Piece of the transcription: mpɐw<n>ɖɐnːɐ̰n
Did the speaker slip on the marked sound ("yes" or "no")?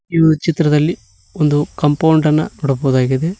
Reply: yes